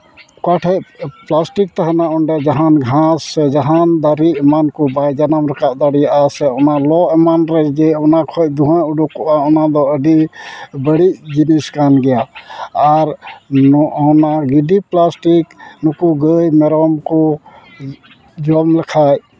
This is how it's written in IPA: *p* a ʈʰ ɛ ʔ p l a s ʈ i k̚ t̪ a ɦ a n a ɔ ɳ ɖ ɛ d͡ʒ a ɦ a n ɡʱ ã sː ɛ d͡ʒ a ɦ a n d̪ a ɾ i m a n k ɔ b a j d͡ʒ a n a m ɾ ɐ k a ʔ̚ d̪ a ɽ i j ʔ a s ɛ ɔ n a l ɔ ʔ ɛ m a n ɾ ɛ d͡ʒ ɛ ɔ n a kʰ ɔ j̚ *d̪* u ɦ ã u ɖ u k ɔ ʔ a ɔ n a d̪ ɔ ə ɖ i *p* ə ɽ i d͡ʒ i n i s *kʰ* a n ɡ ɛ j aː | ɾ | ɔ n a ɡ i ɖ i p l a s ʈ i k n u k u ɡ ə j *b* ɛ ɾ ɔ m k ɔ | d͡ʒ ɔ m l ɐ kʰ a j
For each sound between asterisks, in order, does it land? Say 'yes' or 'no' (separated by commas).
no, yes, no, no, no